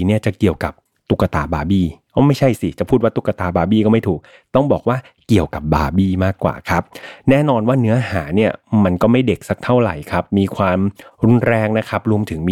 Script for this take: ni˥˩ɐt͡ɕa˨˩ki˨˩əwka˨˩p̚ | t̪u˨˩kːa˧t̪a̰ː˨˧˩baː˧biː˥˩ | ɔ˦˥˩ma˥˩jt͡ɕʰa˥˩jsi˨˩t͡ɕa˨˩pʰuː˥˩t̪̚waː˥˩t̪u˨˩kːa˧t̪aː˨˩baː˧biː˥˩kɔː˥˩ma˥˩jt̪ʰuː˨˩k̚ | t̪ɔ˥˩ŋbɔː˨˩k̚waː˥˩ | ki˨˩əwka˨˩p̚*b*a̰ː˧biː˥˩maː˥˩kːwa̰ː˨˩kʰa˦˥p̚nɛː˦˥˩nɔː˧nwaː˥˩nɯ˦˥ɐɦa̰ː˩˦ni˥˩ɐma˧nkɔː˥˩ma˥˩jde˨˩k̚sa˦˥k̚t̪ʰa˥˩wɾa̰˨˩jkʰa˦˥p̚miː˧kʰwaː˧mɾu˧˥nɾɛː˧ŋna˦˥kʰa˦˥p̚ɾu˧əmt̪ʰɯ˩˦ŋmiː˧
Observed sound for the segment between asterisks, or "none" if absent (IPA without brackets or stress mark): b